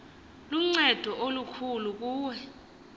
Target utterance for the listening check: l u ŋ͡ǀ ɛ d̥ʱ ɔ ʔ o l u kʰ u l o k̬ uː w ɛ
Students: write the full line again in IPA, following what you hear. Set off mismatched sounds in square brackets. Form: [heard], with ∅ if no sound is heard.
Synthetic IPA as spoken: l u ŋ͡ǀ ɛ d̥ʱ ɔ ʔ o l u kʰ u l [u] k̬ uː w ɛ